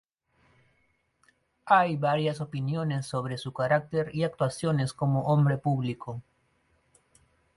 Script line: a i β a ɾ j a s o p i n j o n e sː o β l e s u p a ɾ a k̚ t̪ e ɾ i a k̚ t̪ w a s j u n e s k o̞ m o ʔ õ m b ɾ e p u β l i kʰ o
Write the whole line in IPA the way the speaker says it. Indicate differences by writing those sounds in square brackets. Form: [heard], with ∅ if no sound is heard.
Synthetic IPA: a [j] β a ɾ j a s o p i n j o n e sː o β [ɾ] e s u [k] a ɾ a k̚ t̪ e ɾ i a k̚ t̪ w a s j [o] n e s k o̞ m o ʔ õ m b ɾ e p u β l i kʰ o